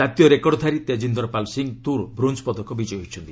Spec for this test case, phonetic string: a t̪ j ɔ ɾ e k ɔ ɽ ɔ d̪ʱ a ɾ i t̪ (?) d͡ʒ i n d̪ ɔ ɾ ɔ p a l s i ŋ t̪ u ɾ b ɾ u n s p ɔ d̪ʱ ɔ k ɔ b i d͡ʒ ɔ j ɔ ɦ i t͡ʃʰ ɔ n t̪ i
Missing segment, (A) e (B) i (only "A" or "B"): A